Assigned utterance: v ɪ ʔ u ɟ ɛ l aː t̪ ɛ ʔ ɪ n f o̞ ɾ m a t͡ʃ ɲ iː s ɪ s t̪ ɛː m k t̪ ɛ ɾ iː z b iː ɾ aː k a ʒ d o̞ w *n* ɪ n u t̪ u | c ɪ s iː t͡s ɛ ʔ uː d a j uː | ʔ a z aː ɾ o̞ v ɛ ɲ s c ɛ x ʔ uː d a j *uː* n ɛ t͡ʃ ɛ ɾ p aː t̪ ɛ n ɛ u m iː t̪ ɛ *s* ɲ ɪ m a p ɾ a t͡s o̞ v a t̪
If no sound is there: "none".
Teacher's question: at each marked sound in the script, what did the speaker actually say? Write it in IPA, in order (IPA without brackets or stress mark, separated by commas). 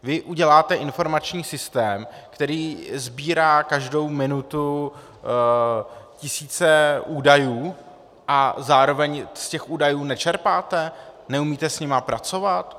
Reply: m, uː, s